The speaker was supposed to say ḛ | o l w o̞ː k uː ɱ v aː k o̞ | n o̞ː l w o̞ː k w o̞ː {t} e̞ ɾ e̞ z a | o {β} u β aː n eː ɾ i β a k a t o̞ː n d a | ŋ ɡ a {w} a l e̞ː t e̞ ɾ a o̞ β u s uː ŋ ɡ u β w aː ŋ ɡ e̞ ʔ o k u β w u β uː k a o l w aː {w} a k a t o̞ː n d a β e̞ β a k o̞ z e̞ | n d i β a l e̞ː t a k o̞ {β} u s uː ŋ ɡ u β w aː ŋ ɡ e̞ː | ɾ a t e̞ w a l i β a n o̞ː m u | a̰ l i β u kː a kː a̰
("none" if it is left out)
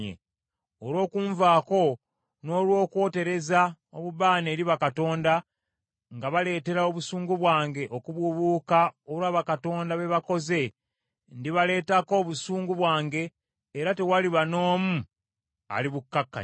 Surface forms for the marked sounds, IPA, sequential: t, β, β, β, β

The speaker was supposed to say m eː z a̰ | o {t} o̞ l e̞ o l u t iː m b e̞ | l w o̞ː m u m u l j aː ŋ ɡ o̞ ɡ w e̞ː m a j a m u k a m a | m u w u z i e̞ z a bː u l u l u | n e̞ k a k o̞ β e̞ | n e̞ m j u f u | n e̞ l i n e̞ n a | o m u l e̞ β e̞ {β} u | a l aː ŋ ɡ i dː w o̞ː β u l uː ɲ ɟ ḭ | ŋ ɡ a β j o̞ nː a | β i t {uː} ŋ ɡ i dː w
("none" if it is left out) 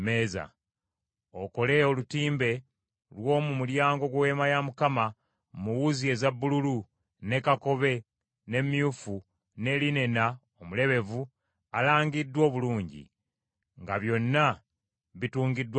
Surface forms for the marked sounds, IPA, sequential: k, v, uː

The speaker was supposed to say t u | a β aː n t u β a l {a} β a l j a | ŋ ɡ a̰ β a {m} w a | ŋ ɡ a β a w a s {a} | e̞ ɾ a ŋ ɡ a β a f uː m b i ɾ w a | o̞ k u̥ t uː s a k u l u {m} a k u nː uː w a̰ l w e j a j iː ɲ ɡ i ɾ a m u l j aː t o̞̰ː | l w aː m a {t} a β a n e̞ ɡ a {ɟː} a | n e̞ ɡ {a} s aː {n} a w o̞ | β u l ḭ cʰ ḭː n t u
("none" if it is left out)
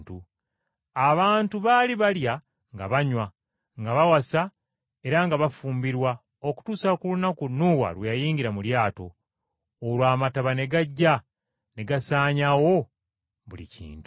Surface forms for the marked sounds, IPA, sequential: i, ɲ, a, n, t, ɟː, a, ɲ

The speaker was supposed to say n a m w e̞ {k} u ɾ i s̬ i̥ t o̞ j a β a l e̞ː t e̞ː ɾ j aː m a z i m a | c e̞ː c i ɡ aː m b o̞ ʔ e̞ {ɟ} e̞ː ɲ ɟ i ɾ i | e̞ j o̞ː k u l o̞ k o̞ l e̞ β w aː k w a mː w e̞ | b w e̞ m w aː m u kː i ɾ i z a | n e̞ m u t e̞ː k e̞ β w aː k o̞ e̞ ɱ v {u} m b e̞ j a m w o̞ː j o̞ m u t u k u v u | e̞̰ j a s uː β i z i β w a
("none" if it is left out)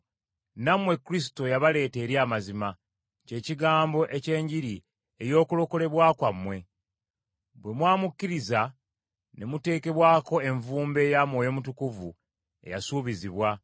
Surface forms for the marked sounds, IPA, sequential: k, c, uː

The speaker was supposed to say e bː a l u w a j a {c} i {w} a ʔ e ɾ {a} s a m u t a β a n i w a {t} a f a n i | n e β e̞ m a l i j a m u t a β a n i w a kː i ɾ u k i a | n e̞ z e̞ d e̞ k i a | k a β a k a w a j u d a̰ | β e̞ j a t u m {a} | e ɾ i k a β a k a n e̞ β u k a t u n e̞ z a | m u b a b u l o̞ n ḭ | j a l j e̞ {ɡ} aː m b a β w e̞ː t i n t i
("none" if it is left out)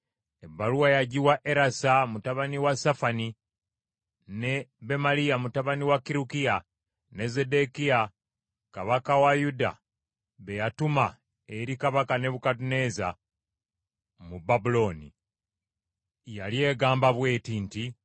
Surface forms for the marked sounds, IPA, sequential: ɟ, w, a, s, a, ɡ

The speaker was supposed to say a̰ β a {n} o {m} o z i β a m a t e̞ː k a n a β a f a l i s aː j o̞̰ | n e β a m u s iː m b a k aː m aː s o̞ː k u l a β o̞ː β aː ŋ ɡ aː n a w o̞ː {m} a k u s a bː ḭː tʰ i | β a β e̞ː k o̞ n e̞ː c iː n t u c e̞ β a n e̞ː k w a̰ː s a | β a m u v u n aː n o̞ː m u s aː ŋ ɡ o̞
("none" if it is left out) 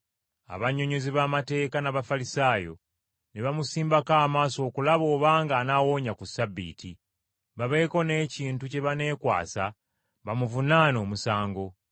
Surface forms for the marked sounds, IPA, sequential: ɲ, ɲ, ɲ

